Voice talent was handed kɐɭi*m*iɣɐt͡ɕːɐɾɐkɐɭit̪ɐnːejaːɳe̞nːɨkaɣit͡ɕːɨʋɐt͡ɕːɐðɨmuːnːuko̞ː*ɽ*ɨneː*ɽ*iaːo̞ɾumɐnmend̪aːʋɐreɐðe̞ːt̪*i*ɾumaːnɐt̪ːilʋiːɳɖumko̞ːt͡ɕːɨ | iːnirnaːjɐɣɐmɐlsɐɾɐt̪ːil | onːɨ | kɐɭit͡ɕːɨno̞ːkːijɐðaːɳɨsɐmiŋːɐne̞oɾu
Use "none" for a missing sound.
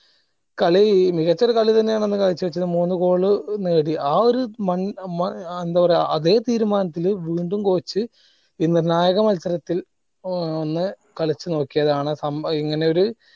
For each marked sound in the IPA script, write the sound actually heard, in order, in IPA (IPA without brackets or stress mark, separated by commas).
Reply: m, ɭ, ɽ, iː